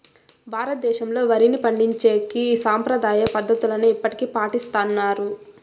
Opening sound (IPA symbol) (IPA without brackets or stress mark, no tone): bʱ